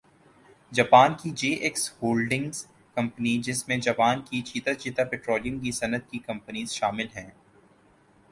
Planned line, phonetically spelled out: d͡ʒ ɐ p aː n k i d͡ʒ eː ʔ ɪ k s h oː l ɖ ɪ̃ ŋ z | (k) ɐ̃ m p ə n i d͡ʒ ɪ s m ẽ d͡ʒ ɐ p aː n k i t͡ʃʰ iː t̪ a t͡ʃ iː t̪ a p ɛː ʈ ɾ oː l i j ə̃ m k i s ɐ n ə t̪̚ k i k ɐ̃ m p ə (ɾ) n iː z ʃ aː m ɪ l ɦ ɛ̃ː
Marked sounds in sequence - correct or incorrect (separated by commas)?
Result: correct, incorrect